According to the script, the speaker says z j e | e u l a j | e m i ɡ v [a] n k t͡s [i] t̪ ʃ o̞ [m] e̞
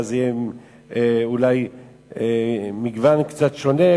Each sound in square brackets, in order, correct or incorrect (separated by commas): correct, incorrect, incorrect